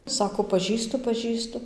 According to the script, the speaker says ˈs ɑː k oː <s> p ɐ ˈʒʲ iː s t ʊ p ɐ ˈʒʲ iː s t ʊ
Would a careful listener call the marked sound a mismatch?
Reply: yes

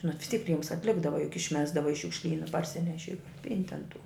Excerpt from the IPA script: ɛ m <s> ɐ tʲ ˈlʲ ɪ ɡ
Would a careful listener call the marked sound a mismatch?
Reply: no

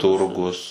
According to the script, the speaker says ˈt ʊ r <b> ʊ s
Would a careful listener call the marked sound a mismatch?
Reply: yes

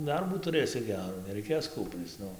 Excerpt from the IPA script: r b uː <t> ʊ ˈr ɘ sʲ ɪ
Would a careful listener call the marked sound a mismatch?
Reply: no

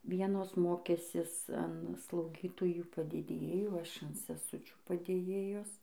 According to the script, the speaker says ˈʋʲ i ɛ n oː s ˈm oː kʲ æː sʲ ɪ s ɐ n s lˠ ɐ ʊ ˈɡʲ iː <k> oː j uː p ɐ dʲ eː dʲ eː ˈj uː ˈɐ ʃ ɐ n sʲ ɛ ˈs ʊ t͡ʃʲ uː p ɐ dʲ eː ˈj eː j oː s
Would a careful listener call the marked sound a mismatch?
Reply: yes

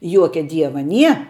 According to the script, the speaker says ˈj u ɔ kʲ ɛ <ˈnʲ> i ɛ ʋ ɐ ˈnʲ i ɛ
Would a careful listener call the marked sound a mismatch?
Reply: yes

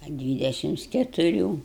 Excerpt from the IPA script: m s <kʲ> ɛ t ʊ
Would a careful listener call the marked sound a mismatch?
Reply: no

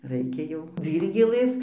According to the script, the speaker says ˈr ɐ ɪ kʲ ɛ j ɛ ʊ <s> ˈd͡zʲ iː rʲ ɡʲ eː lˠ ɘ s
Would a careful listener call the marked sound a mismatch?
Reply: yes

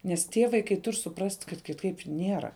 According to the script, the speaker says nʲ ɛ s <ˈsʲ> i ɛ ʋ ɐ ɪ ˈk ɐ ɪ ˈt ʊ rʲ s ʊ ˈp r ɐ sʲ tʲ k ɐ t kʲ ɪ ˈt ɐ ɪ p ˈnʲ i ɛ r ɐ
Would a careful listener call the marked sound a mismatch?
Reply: yes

